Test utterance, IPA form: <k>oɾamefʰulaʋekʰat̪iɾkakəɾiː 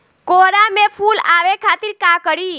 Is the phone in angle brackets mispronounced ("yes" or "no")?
no